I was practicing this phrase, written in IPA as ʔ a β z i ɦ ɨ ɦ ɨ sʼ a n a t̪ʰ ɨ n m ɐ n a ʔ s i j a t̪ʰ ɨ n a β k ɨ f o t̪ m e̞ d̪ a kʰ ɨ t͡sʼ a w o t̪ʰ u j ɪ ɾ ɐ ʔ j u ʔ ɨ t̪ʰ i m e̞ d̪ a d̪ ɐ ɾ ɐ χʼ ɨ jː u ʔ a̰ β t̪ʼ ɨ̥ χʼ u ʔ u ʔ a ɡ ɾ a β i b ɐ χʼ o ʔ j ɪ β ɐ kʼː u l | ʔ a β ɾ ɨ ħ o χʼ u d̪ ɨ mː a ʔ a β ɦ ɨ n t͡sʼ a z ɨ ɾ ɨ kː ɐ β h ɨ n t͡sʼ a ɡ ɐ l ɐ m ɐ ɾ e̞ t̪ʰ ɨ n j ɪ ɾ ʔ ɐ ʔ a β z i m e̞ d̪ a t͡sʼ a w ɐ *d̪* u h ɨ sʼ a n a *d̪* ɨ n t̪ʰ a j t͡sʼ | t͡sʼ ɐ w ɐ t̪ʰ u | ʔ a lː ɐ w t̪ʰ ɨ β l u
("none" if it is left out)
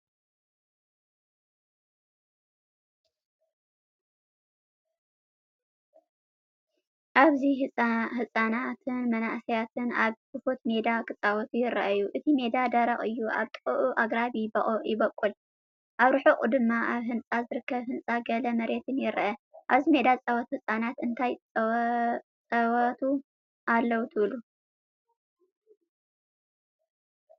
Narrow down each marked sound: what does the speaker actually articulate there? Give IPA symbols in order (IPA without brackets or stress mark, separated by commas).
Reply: t̪, t̪